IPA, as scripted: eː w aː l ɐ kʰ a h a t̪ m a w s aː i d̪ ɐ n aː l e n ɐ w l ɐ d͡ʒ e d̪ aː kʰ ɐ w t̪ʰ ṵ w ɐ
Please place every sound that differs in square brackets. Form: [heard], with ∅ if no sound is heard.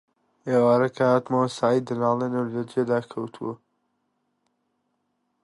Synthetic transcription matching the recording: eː w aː [ɾ] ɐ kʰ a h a t̪ m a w s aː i d̪ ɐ n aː l e n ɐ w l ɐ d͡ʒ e d̪ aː kʰ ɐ w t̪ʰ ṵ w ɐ

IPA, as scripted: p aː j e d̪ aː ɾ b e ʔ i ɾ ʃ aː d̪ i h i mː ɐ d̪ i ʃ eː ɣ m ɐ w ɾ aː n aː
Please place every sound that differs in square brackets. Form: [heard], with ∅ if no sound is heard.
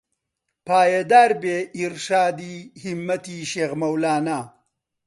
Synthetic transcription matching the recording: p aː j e d̪ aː ɾ b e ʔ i ɾ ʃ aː d̪ i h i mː ɐ [t̪] i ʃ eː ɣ m ɐ w [l] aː n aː

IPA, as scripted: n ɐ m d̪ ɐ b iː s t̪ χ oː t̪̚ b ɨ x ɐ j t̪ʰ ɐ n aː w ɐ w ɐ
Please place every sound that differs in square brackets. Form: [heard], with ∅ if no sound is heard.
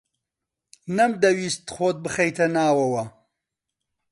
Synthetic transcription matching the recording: n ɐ m d̪ ɐ [w] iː s t̪ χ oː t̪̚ b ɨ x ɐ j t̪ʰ ɐ n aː w ɐ w ɐ

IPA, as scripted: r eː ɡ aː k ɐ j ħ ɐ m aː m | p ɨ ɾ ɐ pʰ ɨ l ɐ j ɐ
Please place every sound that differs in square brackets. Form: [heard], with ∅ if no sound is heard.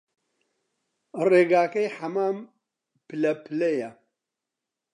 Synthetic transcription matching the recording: r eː ɡ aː k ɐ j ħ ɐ m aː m | p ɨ [l] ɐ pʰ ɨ l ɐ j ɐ

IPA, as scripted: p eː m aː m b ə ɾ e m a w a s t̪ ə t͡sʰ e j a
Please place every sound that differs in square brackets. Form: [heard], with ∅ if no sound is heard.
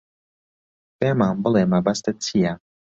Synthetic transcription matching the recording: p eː m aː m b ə [l] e m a [b] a s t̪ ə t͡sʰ [i] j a

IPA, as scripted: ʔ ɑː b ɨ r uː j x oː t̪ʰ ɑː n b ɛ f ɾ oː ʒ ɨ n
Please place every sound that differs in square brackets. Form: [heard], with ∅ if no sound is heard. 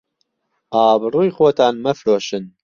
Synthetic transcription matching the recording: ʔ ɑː b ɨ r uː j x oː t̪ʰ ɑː n [m] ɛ f ɾ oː [ʃ] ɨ n

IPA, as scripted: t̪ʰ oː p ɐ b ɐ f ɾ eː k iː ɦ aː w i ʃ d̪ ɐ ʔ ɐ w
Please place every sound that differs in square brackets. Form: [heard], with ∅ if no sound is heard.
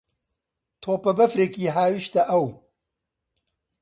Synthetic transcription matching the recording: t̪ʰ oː p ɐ b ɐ f ɾ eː k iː ɦ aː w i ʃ [t̪] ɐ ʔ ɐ w

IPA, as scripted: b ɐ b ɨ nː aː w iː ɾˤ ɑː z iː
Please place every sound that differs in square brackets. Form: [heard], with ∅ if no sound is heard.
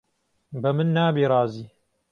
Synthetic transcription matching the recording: b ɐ [m] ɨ nː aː [b] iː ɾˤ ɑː z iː

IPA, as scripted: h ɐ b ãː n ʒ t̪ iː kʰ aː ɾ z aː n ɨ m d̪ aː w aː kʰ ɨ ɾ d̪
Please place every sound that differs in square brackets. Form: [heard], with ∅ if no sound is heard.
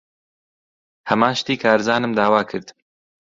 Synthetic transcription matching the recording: h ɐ [m] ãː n [ʃ] t̪ iː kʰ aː ɾ z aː n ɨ m d̪ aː w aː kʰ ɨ ɾ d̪

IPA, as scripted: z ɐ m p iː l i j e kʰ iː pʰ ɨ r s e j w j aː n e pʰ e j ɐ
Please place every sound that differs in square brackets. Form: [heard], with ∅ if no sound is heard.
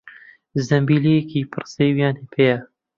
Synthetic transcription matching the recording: z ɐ m [b] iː l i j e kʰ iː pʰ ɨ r s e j w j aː n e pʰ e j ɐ

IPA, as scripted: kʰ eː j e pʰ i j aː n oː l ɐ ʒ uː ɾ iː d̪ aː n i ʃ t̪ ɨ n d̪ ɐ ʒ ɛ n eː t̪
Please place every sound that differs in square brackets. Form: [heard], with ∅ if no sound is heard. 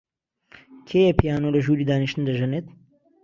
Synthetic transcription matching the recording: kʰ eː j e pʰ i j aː n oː l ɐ ʒ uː ɾ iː d̪ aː n i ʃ t̪ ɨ n d̪ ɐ ʒ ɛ n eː t̪

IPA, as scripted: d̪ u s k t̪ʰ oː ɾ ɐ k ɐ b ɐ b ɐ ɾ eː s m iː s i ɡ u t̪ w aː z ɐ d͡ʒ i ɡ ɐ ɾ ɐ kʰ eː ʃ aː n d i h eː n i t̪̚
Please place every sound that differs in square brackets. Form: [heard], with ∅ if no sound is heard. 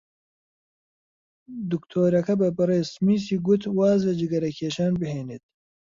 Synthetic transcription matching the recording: d̪ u [∅] k t̪ʰ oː ɾ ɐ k ɐ b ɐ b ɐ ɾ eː s m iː s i ɡ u t̪ w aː z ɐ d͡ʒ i ɡ ɐ ɾ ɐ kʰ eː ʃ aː n [b] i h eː n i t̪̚

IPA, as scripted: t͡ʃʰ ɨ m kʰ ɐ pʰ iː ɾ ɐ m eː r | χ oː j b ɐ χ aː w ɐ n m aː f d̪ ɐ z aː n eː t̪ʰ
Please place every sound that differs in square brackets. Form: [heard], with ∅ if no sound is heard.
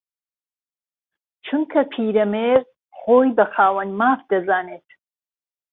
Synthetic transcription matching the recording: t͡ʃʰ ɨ m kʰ ɐ pʰ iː ɾ ɐ m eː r | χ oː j b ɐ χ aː w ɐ n m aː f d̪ ɐ z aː n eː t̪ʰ

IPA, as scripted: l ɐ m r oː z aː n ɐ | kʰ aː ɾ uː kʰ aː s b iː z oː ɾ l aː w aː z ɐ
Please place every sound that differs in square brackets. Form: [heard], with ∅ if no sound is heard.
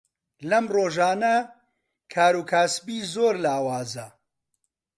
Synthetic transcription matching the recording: l ɐ m r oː [ʒ] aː n ɐ | kʰ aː ɾ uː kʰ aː s b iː z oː ɾ l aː w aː z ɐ

